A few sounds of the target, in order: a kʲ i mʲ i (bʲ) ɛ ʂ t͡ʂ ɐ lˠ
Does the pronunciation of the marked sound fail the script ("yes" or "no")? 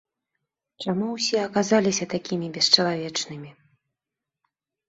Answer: no